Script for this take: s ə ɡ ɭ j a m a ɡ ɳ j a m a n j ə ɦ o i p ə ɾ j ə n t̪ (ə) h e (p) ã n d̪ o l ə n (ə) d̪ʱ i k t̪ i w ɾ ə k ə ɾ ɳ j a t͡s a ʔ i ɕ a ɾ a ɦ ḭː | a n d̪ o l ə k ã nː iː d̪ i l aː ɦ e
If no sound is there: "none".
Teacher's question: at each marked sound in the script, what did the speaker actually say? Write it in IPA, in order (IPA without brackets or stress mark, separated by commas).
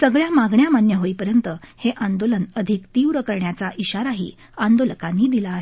ə, ʔ, ə